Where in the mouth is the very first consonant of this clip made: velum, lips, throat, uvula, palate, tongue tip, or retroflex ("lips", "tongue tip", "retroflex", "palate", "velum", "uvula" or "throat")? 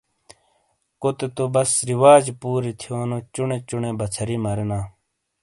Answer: velum